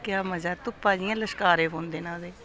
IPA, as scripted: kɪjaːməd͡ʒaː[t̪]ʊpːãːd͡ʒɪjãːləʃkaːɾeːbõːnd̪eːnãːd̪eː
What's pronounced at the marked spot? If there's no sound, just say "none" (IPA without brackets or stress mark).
t̪